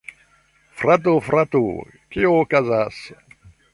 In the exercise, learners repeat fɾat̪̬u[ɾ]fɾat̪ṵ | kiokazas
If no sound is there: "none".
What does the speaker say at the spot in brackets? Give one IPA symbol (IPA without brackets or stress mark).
none